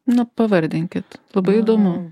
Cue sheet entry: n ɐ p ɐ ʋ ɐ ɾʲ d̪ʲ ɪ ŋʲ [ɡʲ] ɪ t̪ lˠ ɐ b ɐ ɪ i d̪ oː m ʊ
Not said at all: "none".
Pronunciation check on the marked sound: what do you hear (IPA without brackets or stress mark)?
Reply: kʲ